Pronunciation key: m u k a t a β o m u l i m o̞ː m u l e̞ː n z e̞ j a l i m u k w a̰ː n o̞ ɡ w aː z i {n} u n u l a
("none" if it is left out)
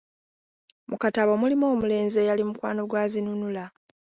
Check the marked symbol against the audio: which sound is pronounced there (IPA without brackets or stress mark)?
n